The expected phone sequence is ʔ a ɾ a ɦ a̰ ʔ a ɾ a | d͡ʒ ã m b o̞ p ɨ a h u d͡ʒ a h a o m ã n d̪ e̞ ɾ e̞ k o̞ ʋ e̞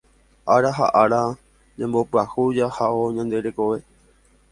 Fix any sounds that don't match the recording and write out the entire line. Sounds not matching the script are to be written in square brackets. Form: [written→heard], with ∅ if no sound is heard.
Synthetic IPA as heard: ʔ a ɾ a ɦ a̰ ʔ a ɾ a | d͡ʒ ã m b o̞ p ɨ a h u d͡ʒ a h a o [m→ɲ] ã n d̪ e̞ ɾ e̞ k o̞ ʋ e̞